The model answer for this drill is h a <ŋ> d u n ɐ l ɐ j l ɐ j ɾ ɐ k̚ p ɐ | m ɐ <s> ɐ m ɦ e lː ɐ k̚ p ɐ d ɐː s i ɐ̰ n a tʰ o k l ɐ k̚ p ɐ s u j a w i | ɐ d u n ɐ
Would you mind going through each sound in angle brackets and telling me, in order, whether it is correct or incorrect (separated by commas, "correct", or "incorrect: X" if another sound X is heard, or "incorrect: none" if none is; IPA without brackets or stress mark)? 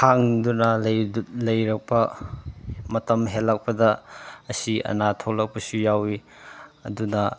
correct, incorrect: t